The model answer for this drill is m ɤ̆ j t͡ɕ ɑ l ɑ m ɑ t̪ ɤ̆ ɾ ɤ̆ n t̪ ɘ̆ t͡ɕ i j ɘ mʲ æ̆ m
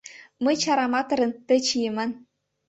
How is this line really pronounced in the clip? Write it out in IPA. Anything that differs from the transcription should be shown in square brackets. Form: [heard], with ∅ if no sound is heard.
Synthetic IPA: m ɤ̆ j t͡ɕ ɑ [ɾ] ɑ m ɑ t̪ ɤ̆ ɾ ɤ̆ n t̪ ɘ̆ t͡ɕ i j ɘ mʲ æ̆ [n]